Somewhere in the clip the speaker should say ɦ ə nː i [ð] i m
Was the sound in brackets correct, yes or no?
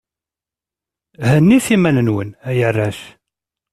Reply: no